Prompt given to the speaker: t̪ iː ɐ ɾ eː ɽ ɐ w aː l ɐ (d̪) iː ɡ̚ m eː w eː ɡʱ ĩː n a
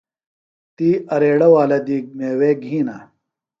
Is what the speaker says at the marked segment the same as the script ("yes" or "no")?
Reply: yes